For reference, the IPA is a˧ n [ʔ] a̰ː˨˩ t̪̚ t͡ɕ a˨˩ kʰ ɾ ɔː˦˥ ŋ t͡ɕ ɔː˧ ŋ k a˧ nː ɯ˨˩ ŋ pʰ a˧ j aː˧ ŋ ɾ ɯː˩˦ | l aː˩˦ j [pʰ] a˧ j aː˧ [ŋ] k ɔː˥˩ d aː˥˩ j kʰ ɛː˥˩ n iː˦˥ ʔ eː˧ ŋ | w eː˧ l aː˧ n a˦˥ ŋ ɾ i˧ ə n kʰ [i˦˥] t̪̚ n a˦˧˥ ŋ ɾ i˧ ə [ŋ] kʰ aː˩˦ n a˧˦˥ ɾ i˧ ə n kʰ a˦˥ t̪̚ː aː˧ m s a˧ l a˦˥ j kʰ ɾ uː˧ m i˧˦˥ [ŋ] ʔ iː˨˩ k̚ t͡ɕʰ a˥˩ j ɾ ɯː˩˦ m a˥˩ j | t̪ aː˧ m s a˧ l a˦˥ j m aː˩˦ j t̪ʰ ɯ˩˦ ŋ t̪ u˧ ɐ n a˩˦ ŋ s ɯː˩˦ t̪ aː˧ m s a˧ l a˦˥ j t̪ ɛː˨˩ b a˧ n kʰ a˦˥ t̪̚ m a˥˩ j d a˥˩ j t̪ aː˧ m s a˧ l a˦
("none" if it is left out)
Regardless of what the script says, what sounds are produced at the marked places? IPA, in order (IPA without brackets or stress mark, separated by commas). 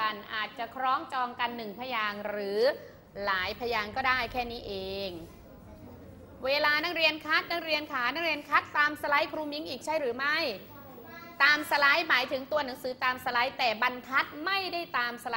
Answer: ʔ, pʰ, ŋ, a˦˥, n, ŋ